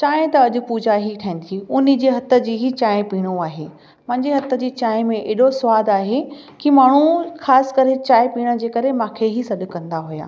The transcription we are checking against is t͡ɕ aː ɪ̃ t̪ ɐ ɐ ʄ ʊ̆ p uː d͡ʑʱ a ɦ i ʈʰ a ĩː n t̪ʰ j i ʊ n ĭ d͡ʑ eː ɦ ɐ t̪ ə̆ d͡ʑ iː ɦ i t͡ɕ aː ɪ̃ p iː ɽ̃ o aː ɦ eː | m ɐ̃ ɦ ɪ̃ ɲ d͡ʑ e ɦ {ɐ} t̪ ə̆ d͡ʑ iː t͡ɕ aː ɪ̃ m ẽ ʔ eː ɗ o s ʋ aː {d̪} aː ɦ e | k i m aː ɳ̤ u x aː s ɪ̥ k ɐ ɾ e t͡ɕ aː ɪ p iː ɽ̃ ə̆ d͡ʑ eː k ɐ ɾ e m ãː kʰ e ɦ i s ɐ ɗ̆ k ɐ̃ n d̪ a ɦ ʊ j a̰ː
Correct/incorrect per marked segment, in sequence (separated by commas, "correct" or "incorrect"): correct, correct